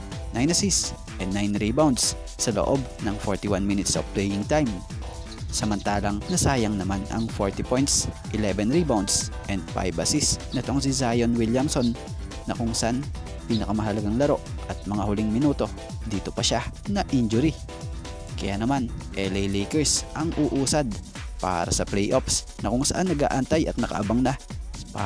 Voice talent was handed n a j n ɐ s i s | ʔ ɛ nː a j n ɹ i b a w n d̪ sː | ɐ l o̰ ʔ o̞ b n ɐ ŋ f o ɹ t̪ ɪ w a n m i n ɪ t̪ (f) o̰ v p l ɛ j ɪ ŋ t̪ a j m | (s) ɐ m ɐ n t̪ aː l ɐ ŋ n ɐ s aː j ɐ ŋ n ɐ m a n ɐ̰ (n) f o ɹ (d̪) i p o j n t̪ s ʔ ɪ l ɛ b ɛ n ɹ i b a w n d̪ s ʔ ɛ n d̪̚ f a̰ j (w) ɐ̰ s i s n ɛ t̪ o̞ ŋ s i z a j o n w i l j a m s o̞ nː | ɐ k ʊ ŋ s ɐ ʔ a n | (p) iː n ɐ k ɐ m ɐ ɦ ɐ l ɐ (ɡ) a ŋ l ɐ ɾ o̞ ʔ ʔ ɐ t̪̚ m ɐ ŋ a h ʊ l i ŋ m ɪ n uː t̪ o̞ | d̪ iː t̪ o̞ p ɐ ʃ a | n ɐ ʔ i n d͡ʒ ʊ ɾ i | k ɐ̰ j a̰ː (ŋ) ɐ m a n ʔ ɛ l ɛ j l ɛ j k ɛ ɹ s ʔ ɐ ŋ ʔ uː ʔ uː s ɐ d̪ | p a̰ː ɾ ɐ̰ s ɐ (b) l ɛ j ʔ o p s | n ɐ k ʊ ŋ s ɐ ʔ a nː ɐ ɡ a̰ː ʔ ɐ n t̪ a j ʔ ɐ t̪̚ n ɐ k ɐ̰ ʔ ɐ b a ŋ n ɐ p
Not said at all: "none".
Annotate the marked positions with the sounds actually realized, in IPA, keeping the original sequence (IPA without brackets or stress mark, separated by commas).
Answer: s, s, ŋ, t̪, b, p, ɡ, n, p